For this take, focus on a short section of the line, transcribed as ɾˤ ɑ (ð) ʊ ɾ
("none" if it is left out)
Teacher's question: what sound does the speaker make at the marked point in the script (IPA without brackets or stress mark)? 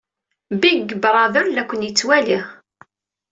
ð